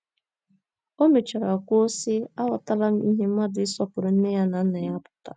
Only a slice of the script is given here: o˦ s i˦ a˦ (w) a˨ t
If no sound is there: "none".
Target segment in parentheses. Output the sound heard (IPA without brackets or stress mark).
w